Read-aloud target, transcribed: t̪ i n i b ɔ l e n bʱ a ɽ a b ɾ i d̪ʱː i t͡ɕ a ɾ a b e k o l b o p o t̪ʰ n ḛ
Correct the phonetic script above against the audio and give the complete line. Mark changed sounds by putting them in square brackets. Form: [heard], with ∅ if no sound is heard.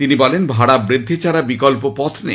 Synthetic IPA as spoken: t̪ i n i b ɔ l e n bʱ a ɽ a b ɾ i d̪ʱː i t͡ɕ a ɾ a b [i] k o l [p] o p [ɔ] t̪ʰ n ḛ